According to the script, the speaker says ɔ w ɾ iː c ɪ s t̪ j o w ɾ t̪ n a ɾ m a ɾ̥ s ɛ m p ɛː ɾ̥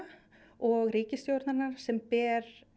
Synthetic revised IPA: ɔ ɣ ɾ iː c ɪ s t̪ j o w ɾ t̪ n a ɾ n a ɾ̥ s ɛ m p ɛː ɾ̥